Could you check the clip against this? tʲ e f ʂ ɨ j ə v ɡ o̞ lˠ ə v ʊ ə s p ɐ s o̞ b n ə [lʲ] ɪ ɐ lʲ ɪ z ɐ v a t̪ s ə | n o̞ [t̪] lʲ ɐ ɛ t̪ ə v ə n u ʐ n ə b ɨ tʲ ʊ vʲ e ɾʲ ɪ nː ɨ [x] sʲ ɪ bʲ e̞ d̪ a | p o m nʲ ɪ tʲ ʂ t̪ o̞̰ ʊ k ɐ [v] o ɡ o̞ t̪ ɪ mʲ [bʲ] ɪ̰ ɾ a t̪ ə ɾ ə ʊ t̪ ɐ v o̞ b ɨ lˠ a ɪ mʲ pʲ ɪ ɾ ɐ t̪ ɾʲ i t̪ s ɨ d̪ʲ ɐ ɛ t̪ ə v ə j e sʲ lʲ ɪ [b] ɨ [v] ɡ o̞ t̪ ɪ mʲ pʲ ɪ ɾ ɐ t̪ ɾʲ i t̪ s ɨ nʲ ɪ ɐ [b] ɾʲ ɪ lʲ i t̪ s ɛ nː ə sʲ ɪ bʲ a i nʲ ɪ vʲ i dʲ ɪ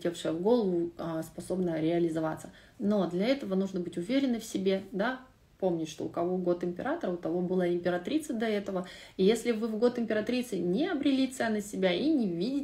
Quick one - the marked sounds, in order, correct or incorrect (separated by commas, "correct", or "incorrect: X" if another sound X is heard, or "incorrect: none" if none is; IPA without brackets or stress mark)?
incorrect: ɾʲ, incorrect: d̪, incorrect: f, correct, incorrect: pʲ, incorrect: v, correct, correct